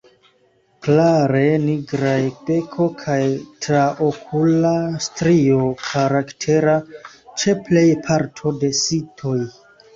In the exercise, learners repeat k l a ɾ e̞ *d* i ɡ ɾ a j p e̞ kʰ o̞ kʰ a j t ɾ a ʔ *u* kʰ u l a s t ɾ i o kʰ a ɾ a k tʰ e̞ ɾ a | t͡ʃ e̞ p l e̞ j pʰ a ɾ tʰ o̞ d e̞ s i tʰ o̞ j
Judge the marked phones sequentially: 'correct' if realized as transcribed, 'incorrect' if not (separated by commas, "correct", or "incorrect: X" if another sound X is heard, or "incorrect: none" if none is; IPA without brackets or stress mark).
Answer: incorrect: n, incorrect: o